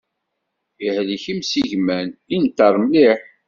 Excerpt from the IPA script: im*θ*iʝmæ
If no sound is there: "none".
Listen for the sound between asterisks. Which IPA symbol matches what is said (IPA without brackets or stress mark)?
s